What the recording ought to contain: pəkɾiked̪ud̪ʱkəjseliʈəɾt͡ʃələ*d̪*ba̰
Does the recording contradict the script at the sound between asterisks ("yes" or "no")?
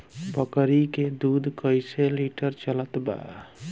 yes